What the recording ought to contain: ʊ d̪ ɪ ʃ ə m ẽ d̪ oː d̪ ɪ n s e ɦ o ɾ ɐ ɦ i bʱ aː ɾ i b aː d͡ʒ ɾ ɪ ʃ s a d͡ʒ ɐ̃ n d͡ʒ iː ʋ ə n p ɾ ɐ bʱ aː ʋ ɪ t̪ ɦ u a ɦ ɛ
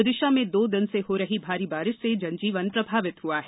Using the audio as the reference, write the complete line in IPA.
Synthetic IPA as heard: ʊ d̪ ɪ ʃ a m ẽ d̪ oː d̪ ɪ n s e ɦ o ɾ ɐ ɦ i bʱ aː ɾ i b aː ɾ ɪ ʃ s e d͡ʒ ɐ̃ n d͡ʒ iː ʋ ə n p ɾ ɐ bʱ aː ʋ ɪ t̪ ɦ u a ɦ ɛ